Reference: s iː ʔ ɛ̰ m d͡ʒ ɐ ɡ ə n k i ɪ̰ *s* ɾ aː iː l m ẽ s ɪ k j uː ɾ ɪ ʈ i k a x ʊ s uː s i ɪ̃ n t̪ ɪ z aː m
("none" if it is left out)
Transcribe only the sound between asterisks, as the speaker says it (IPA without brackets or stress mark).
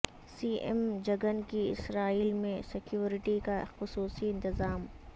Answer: s